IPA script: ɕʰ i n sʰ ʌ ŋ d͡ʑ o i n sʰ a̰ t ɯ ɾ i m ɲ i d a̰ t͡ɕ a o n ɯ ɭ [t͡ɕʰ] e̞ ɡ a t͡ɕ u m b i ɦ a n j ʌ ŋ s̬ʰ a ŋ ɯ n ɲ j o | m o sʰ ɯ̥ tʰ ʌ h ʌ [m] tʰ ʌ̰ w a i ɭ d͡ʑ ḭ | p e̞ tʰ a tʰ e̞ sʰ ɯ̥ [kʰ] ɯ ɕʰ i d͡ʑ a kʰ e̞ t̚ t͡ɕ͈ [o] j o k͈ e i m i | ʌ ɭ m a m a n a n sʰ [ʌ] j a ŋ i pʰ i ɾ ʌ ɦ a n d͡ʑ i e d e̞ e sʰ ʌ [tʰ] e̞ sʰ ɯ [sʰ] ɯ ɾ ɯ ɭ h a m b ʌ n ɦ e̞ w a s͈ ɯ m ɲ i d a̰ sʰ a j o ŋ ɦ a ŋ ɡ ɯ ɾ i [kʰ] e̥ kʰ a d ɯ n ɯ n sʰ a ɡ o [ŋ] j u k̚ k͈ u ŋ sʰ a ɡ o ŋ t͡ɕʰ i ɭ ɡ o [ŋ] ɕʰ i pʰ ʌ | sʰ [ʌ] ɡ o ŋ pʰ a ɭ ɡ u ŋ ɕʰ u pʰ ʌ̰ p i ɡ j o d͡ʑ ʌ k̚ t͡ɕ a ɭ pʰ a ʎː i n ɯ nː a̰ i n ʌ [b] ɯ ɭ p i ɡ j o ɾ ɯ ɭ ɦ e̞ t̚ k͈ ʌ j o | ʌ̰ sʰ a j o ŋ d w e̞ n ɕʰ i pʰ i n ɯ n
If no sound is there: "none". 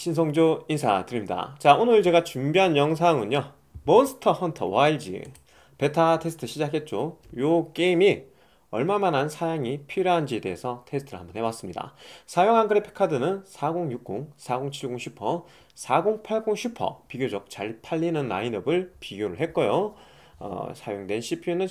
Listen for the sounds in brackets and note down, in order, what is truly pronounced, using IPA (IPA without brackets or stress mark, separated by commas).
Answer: t͡ɕ, n, tʰ, o, a, tʰ, tʰ, pʰ, ŋ, ŋ, a, b